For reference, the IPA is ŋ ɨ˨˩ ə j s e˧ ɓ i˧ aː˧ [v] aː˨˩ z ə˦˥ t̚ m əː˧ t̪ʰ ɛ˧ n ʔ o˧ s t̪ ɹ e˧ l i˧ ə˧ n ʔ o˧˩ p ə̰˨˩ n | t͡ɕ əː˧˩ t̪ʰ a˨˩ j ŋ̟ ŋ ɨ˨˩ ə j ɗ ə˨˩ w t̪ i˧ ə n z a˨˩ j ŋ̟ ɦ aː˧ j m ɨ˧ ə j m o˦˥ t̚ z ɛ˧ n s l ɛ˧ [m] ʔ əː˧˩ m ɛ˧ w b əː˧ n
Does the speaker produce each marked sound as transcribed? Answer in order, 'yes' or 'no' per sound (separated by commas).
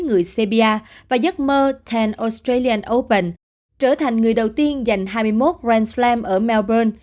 yes, yes